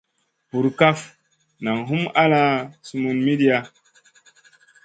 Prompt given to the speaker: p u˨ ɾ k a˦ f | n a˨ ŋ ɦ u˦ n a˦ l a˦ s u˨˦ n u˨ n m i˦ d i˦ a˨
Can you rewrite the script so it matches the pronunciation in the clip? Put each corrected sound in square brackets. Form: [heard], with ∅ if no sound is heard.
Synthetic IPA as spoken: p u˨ ɾ k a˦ f | n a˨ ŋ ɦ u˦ [m] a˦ l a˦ s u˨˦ [m] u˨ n m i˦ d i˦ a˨